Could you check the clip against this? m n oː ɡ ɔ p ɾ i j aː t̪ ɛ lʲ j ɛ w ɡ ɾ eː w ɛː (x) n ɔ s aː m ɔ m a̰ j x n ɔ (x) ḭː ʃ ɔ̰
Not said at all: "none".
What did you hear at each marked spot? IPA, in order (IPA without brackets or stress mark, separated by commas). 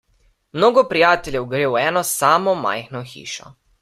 none, x